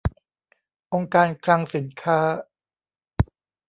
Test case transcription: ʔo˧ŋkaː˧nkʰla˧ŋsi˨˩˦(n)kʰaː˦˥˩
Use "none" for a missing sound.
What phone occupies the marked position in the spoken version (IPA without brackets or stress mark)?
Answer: n